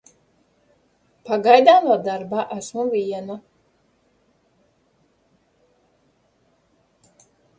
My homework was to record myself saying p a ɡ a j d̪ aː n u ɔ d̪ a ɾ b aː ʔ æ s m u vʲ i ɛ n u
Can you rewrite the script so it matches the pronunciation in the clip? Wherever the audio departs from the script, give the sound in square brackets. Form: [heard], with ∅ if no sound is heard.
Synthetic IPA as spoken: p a ɡ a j d̪ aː n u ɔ d̪ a ɾ b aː ʔ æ s m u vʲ i ɛ n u